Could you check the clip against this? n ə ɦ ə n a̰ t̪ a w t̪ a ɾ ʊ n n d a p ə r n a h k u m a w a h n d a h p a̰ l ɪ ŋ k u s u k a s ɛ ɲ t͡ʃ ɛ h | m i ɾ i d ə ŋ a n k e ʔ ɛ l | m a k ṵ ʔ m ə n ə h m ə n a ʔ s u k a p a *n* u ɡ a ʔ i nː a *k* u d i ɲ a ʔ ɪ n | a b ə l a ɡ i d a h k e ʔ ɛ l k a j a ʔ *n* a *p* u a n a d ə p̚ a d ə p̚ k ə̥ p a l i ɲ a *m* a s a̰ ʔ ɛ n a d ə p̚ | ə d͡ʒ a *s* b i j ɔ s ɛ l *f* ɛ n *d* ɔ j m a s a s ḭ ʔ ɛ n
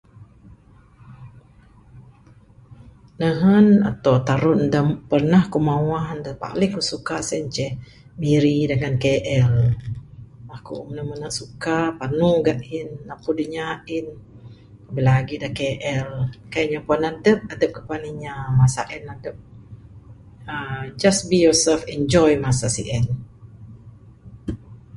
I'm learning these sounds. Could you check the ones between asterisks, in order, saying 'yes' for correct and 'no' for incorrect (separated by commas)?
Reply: yes, no, no, yes, yes, yes, yes, no